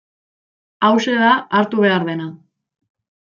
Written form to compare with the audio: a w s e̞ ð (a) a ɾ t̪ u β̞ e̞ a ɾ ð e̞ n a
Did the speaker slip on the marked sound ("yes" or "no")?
no